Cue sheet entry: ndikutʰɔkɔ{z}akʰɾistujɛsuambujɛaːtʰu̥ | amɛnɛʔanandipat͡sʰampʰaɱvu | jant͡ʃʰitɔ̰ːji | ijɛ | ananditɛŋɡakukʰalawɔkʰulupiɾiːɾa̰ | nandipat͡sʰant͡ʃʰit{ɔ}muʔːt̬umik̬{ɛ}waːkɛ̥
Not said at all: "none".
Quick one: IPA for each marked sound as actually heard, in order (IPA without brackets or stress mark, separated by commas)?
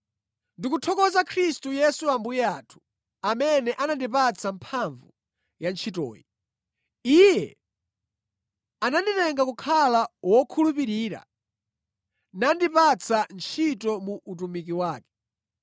z, ɔ, i